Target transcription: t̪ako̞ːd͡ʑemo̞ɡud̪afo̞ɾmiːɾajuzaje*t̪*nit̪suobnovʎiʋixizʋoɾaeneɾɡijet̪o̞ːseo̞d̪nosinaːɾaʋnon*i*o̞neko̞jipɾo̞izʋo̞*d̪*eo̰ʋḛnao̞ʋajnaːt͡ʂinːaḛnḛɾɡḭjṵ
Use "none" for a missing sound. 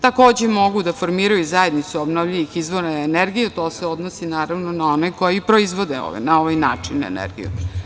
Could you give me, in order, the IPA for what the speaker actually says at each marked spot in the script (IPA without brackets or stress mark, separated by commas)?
d̪, a, d̪